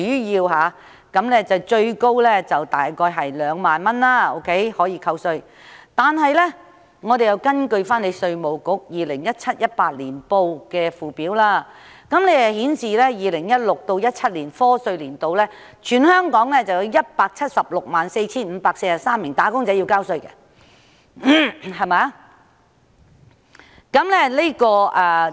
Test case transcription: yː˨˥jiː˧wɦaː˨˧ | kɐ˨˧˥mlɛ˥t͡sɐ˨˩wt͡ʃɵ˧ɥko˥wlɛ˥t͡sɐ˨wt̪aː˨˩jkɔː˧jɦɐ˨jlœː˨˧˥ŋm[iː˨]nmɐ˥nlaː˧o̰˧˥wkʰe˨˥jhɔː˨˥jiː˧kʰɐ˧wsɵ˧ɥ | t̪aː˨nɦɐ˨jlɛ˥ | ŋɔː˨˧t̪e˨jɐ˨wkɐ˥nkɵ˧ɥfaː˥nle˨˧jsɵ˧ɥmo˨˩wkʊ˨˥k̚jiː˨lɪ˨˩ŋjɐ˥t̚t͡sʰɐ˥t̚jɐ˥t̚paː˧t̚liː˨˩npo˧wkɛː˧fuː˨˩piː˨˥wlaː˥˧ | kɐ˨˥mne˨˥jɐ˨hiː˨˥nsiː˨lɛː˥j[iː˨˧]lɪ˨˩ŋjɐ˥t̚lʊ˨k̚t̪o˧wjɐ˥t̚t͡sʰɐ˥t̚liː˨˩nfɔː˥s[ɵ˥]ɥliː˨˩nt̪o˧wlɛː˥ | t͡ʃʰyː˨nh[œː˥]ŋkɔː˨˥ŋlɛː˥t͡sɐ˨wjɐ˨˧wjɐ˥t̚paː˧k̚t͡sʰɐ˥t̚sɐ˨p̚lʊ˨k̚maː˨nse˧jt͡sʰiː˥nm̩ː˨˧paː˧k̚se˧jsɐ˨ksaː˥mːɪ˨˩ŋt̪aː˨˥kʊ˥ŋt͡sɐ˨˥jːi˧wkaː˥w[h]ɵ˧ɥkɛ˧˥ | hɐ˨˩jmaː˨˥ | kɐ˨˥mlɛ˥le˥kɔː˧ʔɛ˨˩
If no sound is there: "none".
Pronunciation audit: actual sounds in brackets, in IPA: aː˨, iː˨˧, ɵ˧, œː˥, s

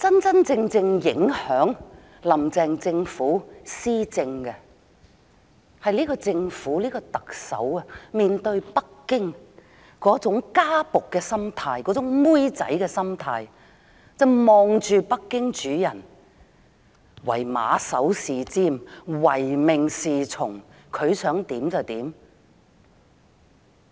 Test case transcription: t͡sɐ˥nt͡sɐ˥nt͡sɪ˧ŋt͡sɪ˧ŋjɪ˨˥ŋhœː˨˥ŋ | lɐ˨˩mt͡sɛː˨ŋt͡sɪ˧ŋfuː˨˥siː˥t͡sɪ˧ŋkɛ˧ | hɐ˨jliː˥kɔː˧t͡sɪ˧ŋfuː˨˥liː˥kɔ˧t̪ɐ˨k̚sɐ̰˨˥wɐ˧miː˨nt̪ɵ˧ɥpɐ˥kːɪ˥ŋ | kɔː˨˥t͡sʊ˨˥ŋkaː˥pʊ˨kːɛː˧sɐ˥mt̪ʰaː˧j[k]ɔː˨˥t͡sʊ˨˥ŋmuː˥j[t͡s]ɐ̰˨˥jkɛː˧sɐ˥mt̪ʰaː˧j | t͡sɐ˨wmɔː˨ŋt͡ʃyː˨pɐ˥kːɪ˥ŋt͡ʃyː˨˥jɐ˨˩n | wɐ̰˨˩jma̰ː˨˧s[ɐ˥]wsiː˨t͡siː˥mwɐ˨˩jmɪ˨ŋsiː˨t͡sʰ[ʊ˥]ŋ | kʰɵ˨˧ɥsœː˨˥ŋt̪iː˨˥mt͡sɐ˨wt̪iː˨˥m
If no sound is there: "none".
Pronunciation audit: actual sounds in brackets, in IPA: k, t͡s, ɐ˨˥, ʊ˨˩

